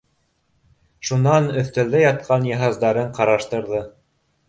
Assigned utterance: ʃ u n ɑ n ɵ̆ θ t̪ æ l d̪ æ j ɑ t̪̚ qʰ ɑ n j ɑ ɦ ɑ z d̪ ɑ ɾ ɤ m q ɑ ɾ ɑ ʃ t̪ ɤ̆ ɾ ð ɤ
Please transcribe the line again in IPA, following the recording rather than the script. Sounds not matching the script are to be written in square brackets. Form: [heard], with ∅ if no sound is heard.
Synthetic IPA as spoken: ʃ u n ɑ n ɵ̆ θ t̪ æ l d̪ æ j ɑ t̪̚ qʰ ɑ n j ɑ ɦ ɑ z d̪ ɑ ɾ ɤ [ɴ] q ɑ ɾ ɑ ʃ t̪ ɤ̆ ɾ ð ɤ